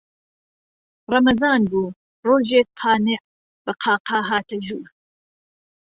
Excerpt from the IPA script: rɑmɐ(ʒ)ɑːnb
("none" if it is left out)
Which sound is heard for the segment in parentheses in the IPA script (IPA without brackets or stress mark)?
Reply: z